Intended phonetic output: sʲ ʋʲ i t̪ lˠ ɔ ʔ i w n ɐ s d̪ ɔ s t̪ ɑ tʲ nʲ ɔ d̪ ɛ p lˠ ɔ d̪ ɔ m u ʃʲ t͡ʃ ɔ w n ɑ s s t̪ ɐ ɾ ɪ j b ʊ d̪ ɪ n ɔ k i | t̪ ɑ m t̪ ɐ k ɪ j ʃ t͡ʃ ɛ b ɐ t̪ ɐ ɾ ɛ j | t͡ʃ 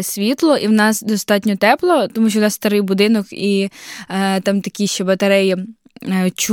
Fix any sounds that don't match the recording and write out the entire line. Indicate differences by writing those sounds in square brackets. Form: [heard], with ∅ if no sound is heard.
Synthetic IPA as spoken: sʲ ʋʲ i t̪ lˠ ɔ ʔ i w n [ɑ] s d̪ ɔ s t̪ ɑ tʲ nʲ ɔ [t̪] ɛ p lˠ ɔ [t̪] ɔ m u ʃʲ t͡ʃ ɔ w n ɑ s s t̪ ɐ ɾ ɪ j b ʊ d̪ ɪ n ɔ k i | t̪ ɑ m t̪ ɐ k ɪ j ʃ t͡ʃ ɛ b ɐ t̪ ɐ ɾ ɛ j | t͡ʃ